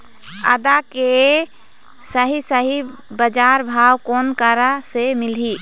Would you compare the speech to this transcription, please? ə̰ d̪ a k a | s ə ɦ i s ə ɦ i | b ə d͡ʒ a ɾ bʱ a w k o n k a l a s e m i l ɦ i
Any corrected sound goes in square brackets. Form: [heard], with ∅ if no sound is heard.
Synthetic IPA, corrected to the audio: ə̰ d̪ a k [e] | s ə ɦ i s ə ɦ i | b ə d͡ʒ a ɾ bʱ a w k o n k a [ɾ] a s e m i l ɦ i